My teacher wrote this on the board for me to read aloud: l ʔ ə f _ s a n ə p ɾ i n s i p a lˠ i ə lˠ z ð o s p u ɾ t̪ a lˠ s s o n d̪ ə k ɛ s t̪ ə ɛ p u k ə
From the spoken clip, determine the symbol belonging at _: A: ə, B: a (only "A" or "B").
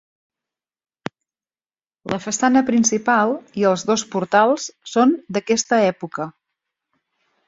A